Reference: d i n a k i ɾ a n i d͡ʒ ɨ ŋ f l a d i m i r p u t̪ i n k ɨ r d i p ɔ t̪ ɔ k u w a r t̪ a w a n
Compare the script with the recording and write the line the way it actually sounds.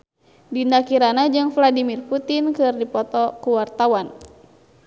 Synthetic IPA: d i n a k i ɾ a n a d͡ʒ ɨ ŋ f l a d i m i r p u t̪ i n k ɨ r d i p ɔ t̪ ɔ k u w a r t̪ a w a n

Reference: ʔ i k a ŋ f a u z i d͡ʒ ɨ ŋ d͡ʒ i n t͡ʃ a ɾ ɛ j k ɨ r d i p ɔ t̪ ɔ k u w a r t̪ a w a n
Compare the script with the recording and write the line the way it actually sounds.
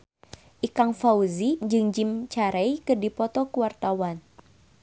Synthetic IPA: ʔ i k a ŋ f a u z i d͡ʒ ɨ ŋ d͡ʒ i m t͡ʃ a ɾ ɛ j k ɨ r d i p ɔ t̪ ɔ k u w a r t̪ a w a n

